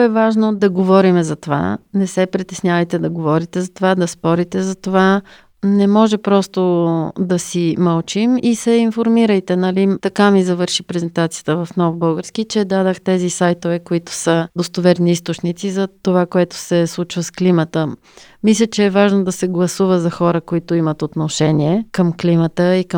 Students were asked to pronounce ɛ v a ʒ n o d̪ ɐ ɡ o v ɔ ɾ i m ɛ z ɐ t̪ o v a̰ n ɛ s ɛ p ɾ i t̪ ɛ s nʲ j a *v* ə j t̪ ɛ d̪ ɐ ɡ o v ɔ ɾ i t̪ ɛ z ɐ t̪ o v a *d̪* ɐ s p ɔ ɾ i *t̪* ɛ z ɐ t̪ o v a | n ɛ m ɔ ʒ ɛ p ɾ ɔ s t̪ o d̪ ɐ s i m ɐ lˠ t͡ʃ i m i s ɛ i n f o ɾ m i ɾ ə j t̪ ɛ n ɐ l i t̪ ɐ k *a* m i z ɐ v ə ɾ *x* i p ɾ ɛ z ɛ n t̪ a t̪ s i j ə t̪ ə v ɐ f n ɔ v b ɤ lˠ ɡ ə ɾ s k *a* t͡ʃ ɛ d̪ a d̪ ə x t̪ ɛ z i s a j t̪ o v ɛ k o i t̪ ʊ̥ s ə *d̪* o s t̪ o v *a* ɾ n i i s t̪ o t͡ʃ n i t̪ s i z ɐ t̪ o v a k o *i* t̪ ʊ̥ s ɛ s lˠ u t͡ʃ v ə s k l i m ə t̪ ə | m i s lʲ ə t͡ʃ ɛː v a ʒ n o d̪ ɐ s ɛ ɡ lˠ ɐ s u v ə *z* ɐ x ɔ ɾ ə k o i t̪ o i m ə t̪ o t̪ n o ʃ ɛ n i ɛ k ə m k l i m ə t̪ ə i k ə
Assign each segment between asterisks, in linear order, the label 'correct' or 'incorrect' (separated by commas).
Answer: correct, correct, correct, correct, incorrect, incorrect, correct, incorrect, incorrect, correct